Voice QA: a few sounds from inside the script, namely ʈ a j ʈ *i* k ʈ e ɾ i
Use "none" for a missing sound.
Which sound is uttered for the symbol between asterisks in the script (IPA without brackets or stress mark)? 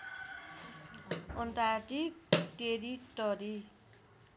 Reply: i